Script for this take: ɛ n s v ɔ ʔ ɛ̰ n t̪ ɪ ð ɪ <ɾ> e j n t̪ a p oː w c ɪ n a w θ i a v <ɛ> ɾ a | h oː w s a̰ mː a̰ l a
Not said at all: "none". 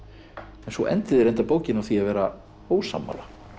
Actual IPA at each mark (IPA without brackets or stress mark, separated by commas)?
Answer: ɾ, ɛː